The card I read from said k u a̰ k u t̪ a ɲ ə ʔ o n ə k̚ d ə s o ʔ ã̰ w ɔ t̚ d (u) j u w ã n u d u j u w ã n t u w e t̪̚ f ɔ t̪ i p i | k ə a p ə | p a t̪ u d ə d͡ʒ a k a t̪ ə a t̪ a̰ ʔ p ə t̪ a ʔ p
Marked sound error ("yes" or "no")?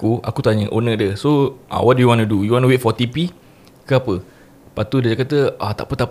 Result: no